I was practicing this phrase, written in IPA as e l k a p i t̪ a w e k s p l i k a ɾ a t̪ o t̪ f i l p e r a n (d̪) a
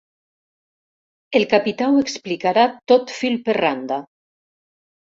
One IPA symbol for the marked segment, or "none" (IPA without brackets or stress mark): d̪